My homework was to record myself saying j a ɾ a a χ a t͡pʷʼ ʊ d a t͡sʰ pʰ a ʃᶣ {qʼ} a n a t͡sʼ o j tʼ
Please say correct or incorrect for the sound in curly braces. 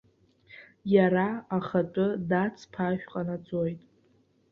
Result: correct